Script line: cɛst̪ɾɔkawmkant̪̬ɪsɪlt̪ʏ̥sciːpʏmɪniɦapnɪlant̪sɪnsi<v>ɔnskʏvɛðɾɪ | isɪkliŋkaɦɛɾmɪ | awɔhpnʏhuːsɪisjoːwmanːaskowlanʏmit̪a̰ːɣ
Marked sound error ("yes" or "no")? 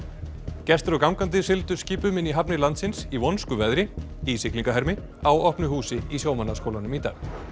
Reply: no